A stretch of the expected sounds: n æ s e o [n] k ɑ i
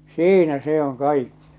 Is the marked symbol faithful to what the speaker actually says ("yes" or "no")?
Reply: no